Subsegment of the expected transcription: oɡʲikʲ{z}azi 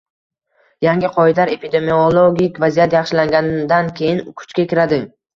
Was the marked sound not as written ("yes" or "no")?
yes